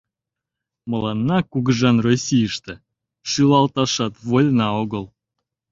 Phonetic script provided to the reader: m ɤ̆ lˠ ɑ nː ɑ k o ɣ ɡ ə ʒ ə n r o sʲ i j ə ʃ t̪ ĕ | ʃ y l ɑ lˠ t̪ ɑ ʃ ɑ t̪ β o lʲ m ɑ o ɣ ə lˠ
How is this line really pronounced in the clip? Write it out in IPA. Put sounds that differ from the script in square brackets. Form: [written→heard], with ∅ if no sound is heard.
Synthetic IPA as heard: m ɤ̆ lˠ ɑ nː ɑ k [o→u] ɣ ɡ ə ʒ [ə→ɑ] n r o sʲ i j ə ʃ t̪ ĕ | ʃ y l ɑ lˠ t̪ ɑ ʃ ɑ t̪ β o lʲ [m→n] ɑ o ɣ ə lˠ

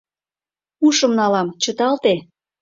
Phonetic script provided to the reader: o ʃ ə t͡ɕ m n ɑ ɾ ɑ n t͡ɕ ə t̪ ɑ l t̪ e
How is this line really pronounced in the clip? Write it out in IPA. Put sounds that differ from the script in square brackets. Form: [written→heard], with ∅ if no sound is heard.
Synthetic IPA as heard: [o→u] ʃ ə [t͡ɕ→∅] m n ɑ [ɾ→l] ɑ [n→m] t͡ɕ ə t̪ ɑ l t̪ e

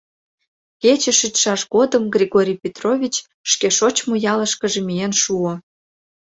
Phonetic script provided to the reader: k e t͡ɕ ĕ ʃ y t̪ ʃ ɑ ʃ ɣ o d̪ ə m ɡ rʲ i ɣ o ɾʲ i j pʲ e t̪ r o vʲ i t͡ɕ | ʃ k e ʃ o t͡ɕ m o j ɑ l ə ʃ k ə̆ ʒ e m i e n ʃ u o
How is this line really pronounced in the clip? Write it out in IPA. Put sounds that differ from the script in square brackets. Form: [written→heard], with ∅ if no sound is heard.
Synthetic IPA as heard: k e t͡ɕ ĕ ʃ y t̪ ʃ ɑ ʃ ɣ o d̪ ə m ɡ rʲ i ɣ o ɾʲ i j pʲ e t̪ r o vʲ i t͡ɕ | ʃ k e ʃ o t͡ɕ m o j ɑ l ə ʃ k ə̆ ʒ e m i e n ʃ u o

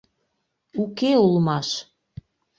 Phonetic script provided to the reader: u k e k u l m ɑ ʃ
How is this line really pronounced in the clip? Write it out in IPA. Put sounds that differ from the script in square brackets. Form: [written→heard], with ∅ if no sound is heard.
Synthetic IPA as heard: u k e [k→∅] u l m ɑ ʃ

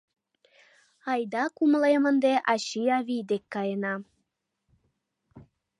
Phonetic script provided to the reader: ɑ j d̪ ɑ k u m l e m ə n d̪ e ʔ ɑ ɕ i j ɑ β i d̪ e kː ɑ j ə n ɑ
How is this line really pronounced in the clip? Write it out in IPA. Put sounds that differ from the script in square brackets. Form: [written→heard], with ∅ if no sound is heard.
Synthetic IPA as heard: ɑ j d̪ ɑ k u m l e m ə n d̪ e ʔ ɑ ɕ i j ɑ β i d̪ e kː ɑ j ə n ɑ

